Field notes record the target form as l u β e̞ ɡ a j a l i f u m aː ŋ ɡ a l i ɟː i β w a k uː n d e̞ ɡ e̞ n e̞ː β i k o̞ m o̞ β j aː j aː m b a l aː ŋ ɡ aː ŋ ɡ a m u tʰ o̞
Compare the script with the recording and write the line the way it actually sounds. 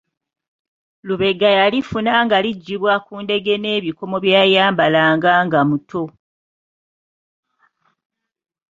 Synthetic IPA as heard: l u β e̞ ɡ a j a l i f u n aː ŋ ɡ a l i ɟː i β w a k uː n d e̞ ɡ e̞ n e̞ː β i k o̞ m o̞ β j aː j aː m b a l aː ŋ ɡ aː ŋ ɡ a m u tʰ o̞